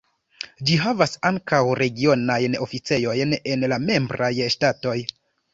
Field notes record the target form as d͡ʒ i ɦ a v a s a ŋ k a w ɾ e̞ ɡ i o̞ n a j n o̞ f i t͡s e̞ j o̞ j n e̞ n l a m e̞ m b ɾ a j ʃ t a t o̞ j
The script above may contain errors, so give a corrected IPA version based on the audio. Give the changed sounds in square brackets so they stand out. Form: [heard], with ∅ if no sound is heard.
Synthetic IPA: d͡ʒ i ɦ a v a s a ŋ k a w ɾ e̞ ɡ i o̞ n a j n o̞ f i t͡s e̞ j o̞ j n e̞ n l a m e̞ m b ɾ a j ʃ t a t o̞ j